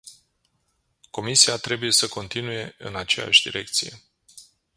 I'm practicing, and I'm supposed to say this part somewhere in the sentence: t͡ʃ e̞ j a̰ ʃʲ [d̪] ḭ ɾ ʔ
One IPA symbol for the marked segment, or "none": d̪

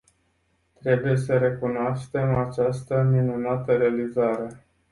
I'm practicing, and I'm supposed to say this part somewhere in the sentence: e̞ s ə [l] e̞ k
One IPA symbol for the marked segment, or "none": ɾ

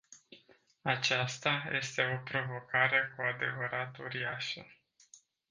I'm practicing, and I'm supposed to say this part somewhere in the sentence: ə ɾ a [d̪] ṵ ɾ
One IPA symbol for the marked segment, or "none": t̪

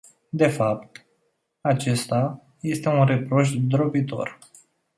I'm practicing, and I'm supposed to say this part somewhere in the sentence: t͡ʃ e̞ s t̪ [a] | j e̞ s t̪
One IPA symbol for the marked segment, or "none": a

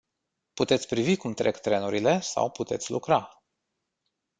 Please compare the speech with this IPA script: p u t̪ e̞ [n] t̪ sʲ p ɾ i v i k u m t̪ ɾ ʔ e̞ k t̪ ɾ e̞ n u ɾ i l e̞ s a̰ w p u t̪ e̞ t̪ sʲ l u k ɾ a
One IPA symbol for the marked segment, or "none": none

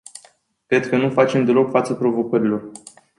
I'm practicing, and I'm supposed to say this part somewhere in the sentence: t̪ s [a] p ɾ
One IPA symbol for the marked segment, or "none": ə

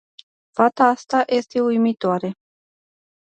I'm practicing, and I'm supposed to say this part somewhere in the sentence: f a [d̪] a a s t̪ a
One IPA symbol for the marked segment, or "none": t̪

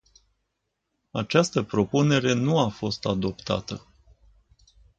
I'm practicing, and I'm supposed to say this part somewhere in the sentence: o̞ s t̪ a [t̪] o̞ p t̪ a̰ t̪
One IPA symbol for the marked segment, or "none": d̪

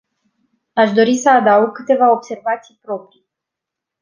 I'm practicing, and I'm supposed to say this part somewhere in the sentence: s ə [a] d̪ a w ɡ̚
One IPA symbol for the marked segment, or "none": a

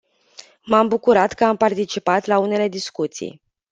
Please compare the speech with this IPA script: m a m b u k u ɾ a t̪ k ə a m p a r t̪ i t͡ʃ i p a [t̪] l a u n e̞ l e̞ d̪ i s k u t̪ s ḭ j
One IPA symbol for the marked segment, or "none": t̪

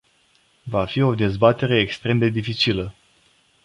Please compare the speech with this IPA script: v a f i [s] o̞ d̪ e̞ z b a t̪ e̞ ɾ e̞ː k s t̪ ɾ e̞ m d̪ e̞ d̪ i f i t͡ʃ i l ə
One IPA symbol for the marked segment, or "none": none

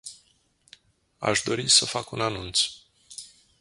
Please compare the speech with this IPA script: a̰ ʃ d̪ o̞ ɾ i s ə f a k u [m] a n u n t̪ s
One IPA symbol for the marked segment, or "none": n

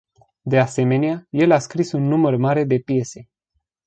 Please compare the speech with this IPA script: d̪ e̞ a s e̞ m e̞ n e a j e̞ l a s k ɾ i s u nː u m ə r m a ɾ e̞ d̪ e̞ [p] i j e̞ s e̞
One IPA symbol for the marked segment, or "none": p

